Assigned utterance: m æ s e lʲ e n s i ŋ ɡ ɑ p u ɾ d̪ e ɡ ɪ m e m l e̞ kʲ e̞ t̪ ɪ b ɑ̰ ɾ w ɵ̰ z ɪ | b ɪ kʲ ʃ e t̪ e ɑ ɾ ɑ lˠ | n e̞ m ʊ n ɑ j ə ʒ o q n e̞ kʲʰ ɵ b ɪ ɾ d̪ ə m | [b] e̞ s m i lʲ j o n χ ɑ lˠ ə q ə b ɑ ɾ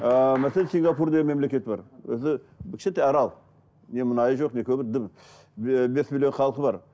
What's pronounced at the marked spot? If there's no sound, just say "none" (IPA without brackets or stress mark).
b